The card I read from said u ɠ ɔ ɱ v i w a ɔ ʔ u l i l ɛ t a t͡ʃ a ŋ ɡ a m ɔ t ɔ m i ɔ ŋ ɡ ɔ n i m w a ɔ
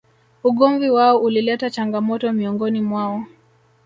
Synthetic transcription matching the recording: u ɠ ɔ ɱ v i w a ɔ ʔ u l i l ɛ t a t͡ʃ a ŋ ɡ a m ɔ t ɔ m i ɔ ŋ ɡ ɔ n i m w a ɔ